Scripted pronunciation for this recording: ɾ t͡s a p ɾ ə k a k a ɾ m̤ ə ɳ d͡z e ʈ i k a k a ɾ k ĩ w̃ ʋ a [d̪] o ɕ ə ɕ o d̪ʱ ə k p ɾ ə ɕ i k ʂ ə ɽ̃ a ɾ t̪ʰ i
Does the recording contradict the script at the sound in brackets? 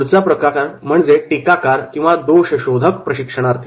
no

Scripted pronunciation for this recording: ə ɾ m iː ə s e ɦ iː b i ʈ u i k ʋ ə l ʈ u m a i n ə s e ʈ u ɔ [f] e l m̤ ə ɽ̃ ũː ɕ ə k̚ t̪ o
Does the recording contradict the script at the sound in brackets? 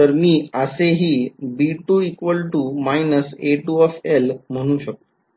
no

